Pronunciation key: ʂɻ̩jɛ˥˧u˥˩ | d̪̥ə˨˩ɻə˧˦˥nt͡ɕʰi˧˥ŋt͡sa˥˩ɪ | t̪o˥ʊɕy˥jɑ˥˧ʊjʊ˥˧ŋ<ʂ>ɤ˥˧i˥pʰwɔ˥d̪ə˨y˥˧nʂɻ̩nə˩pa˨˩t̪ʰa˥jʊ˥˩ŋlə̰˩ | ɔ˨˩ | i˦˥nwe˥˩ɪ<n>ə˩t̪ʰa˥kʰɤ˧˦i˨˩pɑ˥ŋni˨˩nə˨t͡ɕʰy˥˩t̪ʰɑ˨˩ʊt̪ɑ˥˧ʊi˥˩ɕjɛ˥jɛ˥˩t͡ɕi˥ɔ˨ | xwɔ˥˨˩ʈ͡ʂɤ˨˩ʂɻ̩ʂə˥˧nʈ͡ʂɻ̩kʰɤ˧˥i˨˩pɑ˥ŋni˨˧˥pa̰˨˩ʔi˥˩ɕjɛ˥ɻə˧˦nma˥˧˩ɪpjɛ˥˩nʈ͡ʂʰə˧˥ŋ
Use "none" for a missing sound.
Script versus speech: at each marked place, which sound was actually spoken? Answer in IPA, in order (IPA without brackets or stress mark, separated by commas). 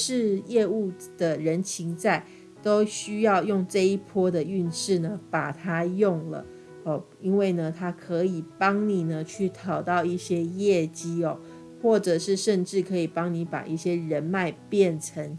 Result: ʈ͡ʂ, n